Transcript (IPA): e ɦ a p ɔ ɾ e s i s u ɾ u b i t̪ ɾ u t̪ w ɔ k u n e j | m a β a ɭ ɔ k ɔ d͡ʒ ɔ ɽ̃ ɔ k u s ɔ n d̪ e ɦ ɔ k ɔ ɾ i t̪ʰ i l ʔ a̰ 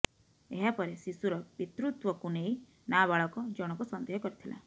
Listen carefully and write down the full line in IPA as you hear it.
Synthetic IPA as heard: e ɦ a p ɔ ɾ e s i s u ɾ ɔ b i t̪ ɾ u t̪ w ɔ k u n e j | n a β a ɭ ɔ k ɔ d͡ʒ ɔ ɽ̃ ɔ k u s ɔ n d̪ e ɦ ɔ k ɔ ɾ i t̪ʰ i l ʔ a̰